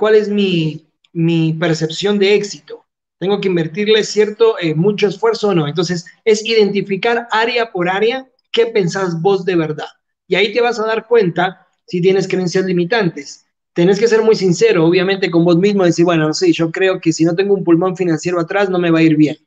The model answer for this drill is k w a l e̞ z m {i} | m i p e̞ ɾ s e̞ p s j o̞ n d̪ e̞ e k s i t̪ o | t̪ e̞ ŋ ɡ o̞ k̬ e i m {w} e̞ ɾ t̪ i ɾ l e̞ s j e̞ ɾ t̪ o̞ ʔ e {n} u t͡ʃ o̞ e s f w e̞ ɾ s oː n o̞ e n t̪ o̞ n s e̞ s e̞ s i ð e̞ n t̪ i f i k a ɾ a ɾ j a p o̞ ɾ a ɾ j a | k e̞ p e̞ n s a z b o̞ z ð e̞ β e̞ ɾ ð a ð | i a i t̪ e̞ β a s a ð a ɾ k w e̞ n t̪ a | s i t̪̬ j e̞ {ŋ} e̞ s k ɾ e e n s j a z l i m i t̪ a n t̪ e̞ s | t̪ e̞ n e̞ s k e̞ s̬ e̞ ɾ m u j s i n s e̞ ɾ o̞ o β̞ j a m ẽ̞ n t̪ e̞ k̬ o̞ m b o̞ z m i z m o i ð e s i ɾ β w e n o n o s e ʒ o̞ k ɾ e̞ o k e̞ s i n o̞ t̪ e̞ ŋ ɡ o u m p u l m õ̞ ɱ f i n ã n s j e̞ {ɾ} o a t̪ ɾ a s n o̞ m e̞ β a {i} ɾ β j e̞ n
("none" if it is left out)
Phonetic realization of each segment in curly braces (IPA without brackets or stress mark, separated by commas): i, b, m, n, ɾ, i